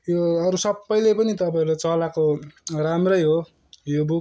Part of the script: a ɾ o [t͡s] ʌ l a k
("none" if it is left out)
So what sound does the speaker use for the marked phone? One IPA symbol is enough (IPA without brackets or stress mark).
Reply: t͡s